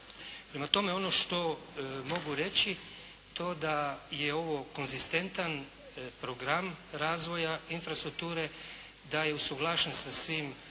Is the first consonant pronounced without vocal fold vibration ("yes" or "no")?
yes